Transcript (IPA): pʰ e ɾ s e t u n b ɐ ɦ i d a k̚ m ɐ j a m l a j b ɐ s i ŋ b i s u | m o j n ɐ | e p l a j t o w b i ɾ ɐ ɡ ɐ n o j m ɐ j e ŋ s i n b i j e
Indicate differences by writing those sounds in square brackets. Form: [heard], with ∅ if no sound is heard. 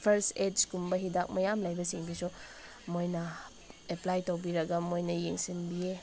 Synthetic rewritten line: pʰ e ɾ s e [k] u [m] b ɐ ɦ i d a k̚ m ɐ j a m l a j b ɐ s i ŋ b i s u | m o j n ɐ | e p l a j t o w b i ɾ ɐ ɡ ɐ [m] o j [n] ɐ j e ŋ s i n b i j e